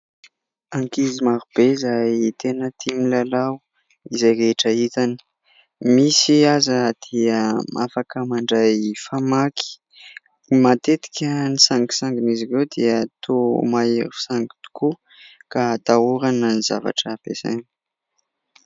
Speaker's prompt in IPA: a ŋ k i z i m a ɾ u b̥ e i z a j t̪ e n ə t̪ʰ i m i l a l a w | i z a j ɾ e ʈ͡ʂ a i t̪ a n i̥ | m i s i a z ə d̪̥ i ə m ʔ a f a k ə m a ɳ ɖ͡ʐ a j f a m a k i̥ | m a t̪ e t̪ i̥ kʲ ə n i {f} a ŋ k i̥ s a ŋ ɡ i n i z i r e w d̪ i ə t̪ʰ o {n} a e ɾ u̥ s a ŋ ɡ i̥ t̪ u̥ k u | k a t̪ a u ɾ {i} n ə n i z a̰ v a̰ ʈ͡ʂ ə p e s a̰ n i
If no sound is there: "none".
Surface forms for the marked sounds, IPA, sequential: s, m, a

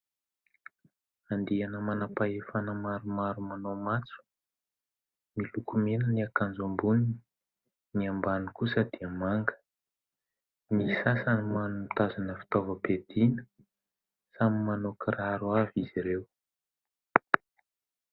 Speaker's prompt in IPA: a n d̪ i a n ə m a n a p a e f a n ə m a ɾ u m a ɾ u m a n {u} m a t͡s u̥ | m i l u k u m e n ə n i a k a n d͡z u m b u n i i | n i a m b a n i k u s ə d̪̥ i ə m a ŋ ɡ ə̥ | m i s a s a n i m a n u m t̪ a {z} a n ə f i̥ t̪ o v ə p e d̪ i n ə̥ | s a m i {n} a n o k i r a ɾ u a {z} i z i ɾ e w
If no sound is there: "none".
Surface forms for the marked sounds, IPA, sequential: o, z, m, v

